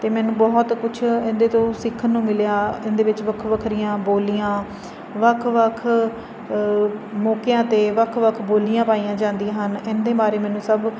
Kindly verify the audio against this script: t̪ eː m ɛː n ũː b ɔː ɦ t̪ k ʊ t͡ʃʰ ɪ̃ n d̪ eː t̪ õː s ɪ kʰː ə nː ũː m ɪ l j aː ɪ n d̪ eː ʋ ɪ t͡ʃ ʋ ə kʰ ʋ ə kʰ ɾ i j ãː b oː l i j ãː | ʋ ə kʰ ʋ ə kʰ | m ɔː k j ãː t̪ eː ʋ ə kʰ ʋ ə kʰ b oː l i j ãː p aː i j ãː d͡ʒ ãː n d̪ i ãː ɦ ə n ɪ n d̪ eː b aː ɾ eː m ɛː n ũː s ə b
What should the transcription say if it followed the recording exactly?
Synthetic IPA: t̪ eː m ɛː n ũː b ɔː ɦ t̪ k ʊ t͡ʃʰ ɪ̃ n d̪ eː t̪ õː s ɪ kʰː ə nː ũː m ɪ l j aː ɪ n d̪ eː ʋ ɪ t͡ʃ ʋ ə kʰ ʋ ə kʰ ɾ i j ãː b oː l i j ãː | ʋ ə kʰ ʋ ə kʰ | m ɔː k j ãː t̪ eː ʋ ə kʰ ʋ ə kʰ b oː l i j ãː p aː i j ãː d͡ʒ ãː n d̪ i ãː ɦ ə n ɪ n d̪ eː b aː ɾ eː m ɛː n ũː s ə b